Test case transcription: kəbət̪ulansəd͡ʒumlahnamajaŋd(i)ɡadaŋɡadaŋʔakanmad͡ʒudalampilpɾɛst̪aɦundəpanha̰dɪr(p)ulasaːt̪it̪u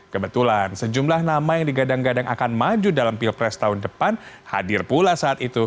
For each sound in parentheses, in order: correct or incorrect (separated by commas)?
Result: correct, correct